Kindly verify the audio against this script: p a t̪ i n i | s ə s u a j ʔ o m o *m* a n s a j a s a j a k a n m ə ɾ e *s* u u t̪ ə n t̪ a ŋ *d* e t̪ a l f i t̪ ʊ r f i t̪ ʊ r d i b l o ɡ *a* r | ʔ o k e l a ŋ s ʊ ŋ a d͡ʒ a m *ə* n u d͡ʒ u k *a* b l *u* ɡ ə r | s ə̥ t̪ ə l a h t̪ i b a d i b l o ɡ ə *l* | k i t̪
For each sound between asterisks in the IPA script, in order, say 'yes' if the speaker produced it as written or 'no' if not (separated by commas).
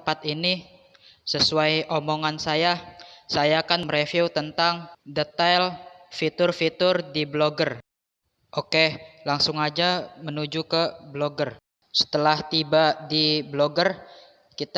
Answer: no, no, yes, no, yes, no, no, no